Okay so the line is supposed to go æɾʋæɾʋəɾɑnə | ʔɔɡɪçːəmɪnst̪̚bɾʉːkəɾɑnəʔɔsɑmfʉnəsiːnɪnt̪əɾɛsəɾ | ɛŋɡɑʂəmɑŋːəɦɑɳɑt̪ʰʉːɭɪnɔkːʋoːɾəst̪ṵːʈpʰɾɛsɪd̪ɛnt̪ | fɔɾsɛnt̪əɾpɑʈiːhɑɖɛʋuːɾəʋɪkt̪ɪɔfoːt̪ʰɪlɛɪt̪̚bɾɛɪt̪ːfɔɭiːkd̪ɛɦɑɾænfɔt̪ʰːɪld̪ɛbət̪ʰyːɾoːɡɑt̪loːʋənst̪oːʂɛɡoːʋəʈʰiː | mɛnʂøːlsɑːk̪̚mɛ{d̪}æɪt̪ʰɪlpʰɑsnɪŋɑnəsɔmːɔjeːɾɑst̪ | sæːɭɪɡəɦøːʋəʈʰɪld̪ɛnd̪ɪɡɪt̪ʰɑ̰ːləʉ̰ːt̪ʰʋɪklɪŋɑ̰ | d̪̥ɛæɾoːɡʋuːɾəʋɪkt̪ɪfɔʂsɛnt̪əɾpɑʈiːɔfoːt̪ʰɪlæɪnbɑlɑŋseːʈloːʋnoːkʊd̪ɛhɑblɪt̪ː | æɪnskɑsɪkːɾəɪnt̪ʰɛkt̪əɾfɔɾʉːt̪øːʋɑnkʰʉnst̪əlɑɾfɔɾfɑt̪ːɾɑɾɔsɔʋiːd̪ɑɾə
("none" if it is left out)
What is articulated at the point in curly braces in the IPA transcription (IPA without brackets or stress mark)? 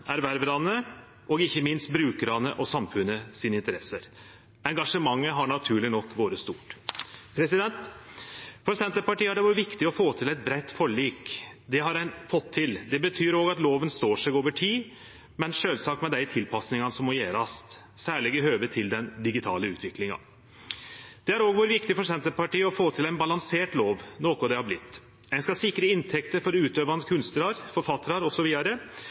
d̪